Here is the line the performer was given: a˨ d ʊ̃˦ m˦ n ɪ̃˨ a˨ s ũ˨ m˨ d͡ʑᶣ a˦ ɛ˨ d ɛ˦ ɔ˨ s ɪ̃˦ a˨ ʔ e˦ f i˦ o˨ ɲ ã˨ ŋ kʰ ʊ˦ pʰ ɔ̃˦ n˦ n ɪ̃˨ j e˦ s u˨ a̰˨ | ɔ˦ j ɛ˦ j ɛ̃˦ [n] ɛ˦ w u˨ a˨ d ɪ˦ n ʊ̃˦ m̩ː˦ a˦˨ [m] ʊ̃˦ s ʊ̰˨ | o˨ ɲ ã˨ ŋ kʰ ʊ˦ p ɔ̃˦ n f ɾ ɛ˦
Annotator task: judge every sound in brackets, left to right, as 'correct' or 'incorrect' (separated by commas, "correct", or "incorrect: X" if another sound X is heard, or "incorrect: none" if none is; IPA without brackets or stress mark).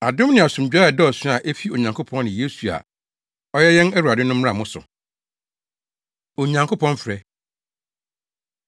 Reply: correct, correct